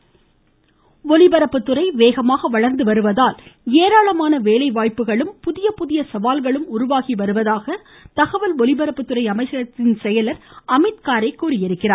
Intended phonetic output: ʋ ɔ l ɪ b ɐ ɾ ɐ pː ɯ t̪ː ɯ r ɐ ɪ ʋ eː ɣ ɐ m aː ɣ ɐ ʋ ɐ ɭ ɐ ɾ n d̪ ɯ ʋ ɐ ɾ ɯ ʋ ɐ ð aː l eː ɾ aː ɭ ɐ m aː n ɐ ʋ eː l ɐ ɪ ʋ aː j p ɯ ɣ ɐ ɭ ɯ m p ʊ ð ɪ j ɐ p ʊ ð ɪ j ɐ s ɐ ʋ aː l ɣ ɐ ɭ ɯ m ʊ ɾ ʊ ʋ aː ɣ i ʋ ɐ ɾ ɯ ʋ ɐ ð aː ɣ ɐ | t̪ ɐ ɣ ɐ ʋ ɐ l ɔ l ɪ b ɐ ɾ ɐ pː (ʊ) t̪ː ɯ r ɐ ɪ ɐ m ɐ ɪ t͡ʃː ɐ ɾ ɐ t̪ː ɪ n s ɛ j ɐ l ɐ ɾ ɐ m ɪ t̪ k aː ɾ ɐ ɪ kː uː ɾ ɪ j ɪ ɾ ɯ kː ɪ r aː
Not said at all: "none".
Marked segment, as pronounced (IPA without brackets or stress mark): ɯ